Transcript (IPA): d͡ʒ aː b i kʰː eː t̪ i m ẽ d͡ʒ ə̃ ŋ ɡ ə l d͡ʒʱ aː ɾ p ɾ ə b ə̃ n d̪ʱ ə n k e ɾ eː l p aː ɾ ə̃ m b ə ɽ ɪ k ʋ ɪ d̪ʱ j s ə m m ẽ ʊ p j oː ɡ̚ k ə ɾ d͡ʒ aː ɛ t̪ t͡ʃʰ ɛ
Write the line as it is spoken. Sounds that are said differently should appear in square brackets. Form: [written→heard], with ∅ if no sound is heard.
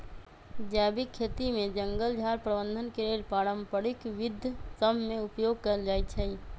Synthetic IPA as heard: d͡ʒ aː b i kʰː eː t̪ i m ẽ d͡ʒ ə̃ ŋ ɡ ə l d͡ʒʱ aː ɾ p ɾ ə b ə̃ n d̪ʱ ə n k e ɾ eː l p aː ɾ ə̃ m [b→p] ə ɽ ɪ k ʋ ɪ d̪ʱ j s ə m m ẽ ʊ p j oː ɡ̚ k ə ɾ d͡ʒ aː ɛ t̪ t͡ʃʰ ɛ